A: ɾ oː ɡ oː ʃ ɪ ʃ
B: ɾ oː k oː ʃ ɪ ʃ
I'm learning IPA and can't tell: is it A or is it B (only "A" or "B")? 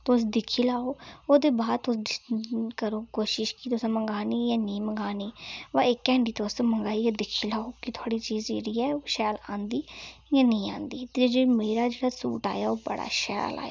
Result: B